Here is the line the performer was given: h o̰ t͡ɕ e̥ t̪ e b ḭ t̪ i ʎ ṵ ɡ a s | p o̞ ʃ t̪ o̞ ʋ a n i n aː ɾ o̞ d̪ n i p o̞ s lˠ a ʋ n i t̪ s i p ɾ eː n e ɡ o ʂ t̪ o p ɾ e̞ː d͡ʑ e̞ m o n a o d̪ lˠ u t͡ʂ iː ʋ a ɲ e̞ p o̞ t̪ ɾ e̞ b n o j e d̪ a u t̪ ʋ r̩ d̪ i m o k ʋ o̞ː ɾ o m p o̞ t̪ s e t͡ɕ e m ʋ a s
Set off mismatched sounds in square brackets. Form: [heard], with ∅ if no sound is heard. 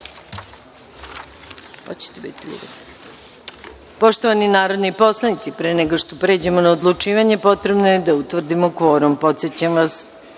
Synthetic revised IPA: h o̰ t͡ɕ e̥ t̪ e b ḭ t̪ i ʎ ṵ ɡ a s | p o̞ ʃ t̪ o̞ ʋ a n i n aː ɾ o̞ d̪ n i p o̞ s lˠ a [∅] n i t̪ s i p ɾ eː n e ɡ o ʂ t̪ o p ɾ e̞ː d͡ʑ e̞ m o n a o d̪ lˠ u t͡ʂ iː ʋ a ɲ e̞ p o̞ t̪ ɾ e̞ b n o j e d̪ a u t̪ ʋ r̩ d̪ i m o k ʋ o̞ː ɾ o m p o̞ t̪ s e t͡ɕ [a] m ʋ a s